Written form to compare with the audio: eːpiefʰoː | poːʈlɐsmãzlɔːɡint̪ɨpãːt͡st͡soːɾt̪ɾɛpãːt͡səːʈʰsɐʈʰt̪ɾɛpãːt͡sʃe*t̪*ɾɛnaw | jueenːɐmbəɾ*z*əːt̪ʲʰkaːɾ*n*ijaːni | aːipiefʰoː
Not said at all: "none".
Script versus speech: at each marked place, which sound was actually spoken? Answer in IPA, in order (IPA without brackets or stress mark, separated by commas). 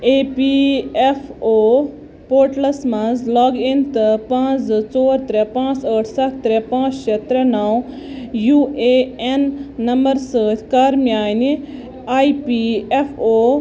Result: t̪, s, m